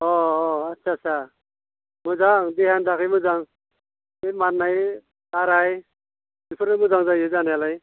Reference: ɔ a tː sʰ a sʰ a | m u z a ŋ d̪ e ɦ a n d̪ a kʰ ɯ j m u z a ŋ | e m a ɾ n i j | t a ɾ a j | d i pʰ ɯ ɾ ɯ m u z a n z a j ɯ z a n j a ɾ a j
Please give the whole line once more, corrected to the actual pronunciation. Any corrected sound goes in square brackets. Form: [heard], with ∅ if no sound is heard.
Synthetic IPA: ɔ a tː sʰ a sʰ a | m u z a ŋ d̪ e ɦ a n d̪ a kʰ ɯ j m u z a ŋ | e m a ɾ n [a] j | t a ɾ a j | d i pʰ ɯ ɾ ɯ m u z a [ŋ] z a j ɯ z a n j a [l] a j